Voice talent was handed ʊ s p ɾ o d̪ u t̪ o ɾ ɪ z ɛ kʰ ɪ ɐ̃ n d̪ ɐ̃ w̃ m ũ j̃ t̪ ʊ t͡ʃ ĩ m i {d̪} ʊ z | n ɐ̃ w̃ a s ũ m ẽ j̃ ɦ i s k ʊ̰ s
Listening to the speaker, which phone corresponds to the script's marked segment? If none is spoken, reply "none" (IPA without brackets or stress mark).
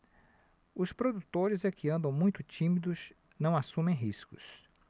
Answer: d̪